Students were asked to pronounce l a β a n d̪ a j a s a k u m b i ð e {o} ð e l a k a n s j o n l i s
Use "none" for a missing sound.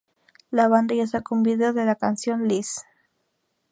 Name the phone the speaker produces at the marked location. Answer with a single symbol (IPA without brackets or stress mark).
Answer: o